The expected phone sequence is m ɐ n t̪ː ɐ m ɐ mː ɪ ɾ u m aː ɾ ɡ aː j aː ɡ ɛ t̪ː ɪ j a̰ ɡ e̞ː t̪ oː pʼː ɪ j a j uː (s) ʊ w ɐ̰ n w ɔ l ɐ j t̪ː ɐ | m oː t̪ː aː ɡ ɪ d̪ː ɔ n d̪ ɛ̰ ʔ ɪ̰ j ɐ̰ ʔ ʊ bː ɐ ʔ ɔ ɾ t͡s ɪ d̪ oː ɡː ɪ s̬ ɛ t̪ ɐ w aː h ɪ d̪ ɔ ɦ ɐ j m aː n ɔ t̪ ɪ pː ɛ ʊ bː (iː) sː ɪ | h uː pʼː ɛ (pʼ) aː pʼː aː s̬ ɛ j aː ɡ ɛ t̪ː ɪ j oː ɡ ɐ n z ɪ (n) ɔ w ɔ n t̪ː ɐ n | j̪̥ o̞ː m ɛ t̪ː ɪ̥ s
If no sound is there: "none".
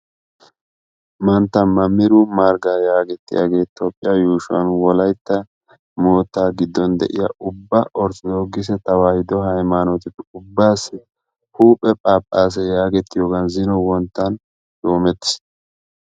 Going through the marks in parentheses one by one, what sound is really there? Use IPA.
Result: ʃ, aː, pʼ, n

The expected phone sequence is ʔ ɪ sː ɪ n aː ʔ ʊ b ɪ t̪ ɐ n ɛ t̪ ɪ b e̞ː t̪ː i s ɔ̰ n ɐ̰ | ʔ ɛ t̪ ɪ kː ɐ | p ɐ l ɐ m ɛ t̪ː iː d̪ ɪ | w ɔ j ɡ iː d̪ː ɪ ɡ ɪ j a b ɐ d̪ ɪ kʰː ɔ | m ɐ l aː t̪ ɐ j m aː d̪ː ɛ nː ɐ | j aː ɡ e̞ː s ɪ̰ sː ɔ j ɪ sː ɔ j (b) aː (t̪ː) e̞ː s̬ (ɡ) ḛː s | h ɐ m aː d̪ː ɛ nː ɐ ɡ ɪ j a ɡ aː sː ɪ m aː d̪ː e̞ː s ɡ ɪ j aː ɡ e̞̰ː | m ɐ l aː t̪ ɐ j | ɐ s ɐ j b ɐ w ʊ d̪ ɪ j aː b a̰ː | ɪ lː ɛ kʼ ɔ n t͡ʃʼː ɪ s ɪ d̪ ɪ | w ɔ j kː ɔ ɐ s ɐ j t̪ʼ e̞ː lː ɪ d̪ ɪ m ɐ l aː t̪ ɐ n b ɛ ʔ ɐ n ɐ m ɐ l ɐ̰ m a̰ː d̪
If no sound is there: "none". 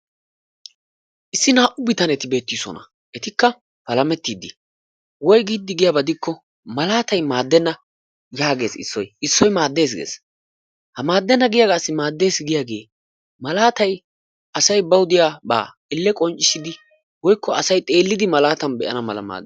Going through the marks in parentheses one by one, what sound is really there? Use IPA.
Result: m, d̪ː, ɡ

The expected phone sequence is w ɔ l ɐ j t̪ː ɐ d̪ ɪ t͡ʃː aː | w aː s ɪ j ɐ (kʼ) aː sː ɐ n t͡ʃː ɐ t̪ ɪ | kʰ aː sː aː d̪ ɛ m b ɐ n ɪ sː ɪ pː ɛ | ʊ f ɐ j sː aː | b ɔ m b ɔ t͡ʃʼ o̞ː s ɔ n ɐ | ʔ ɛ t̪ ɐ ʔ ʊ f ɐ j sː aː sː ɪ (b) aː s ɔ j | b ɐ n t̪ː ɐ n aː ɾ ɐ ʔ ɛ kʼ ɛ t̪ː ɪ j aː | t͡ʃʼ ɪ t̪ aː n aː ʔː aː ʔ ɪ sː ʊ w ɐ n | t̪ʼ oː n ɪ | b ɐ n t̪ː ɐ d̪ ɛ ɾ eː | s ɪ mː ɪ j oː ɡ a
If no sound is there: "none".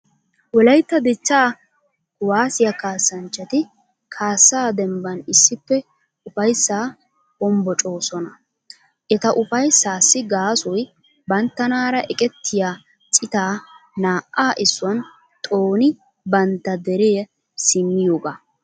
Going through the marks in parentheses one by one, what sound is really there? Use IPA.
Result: k, ɡ

